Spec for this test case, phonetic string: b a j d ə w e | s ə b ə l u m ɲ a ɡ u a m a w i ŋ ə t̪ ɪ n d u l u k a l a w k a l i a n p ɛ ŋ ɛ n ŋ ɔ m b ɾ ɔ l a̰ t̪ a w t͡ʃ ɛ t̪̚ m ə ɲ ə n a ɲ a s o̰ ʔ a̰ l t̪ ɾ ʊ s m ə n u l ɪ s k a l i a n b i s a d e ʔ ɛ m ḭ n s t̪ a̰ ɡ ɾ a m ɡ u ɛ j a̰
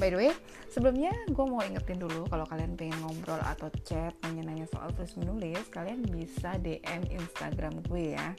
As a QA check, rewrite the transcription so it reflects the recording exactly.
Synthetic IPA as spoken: b a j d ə w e | s ə b ə l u m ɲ a ɡ u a m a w i ŋ ə t̪ ɪ n d u l u k a l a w k a l i a n p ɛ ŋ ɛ n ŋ ɔ m b ɾ ɔ l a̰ t̪ a w t͡ʃ ɛ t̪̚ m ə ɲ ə n a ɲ a s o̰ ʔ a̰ l t̪ ɾ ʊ s m ə n u l ɪ s k a l i a n b i s a d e ʔ ɛ m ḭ n s t̪ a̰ ɡ ɾ a m ɡ u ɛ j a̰